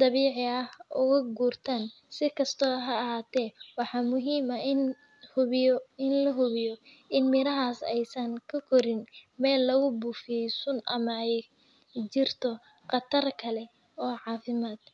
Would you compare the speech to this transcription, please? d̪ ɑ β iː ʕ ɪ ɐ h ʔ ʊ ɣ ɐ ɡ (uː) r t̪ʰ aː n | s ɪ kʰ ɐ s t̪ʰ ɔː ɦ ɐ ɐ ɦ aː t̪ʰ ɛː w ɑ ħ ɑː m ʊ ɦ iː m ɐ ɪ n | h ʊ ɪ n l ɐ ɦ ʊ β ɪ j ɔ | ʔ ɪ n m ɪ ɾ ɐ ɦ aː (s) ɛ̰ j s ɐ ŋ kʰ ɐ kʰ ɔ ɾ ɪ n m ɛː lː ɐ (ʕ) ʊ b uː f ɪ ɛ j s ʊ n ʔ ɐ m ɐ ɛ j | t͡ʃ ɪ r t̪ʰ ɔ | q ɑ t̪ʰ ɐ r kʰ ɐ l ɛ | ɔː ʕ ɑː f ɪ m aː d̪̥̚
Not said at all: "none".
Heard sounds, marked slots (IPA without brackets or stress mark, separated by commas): uː, s, ɣ